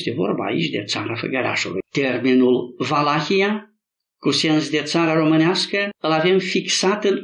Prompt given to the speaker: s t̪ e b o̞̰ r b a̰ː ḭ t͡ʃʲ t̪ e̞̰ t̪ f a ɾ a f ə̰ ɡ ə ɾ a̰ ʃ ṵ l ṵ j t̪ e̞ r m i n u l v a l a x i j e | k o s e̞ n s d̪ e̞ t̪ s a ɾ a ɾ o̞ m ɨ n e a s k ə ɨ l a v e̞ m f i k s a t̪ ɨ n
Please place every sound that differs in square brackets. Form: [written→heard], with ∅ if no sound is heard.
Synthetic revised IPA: s t̪ e [b→v] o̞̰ r b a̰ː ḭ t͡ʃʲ [t̪→d̪] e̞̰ t̪ [f→s] a ɾ a f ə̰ ɡ ə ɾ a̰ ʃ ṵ l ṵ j t̪ e̞ r m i n u l v a l a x i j [e→a] | k [o→u] s e̞ n s d̪ e̞ t̪ s a ɾ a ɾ o̞ m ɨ n e a s k ə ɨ l a v e̞ m f i k s a t̪ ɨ n